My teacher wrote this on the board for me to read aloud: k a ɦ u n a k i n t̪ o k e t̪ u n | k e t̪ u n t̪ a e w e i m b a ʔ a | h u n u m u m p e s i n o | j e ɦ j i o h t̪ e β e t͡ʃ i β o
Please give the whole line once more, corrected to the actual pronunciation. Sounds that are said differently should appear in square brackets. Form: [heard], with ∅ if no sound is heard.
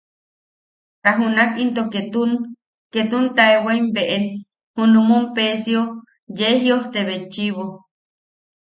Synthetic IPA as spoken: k a ɦ u n a k i n t̪ o k e t̪ u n | k e t̪ u n t̪ a e w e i m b [e] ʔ [e] | h u n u m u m p e s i [∅] o | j e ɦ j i o h t̪ e β e t͡ʃ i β o